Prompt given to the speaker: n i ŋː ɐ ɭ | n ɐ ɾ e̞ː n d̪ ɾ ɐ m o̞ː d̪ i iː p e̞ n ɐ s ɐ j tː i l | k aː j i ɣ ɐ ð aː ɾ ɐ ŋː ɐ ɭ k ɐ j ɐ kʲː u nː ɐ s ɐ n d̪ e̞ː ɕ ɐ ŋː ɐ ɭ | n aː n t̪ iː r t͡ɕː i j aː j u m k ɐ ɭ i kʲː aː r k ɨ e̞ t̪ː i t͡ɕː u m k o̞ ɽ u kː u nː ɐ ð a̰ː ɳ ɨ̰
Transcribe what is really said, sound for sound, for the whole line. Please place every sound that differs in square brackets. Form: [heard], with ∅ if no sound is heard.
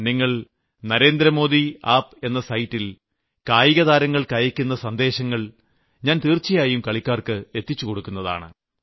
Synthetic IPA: n i ŋː ɐ ɭ | n ɐ ɾ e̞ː n d̪ ɾ ɐ m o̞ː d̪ i [aː] p e̞ [nː] ɐ s ɐ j tː i l | k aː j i ɣ ɐ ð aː ɾ ɐ ŋː ɐ ɭ k ɐ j ɐ kʲː u nː ɐ s ɐ n d̪ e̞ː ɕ ɐ ŋː ɐ ɭ | [ɲ] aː n t̪ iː r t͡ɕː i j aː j u m k ɐ ɭ i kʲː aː r k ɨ e̞ t̪ː i t͡ɕː u [∅] k o̞ ɽ u kː u nː ɐ ð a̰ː ɳ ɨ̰